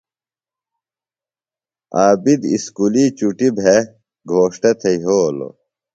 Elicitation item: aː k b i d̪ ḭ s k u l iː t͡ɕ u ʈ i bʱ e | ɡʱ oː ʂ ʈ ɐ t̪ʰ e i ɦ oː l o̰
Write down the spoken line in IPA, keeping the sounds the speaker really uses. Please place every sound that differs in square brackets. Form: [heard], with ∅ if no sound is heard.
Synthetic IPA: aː [∅] b i d̪ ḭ s k u l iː t͡ɕ u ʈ i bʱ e | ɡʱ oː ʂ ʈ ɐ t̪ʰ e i ɦ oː l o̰